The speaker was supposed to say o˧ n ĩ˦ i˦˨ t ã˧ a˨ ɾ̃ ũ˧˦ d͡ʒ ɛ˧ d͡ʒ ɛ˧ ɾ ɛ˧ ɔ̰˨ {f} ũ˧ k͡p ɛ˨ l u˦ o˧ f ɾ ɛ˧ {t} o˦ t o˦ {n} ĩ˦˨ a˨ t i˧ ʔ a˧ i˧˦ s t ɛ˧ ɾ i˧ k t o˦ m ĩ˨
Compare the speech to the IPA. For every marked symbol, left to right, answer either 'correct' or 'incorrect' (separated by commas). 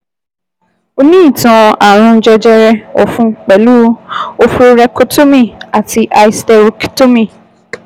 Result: correct, incorrect, incorrect